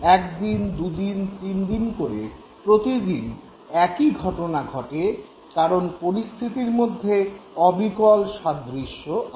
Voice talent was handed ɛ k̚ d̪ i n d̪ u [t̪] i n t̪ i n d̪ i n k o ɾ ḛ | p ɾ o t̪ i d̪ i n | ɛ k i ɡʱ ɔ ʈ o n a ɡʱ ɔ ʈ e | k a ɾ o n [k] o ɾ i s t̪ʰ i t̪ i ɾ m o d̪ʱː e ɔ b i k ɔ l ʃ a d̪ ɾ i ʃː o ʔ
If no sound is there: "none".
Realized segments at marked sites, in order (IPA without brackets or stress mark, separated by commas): d̪, p